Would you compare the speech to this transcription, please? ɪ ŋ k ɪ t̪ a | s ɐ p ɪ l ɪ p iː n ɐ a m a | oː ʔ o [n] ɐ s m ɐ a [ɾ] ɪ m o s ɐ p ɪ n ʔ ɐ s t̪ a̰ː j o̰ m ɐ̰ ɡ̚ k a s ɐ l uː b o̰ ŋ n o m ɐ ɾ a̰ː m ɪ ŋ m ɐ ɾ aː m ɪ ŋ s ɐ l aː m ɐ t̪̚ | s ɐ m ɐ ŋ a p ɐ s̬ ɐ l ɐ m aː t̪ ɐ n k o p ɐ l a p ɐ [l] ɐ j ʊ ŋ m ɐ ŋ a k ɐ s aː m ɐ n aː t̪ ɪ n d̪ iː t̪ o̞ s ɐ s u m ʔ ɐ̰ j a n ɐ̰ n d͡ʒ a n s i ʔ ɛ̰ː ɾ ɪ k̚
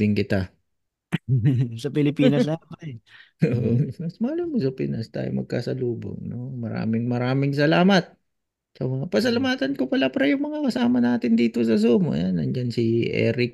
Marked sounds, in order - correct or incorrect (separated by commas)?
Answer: incorrect, incorrect, incorrect